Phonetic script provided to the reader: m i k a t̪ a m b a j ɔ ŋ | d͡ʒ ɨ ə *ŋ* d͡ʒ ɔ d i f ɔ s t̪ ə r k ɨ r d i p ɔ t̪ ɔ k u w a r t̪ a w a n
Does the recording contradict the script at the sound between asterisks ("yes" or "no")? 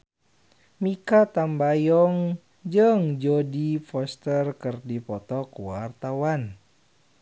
no